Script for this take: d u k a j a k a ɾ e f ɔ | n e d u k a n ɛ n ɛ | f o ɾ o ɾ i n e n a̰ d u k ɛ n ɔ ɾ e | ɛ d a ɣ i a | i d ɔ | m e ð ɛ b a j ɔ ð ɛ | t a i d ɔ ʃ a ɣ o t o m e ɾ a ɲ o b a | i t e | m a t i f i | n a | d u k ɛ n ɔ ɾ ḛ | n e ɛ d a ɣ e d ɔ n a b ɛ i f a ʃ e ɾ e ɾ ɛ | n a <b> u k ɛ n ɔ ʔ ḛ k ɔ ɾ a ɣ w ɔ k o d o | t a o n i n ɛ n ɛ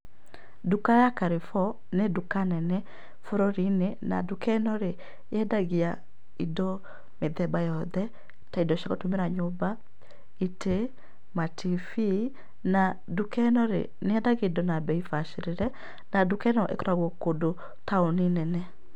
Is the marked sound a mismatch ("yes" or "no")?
yes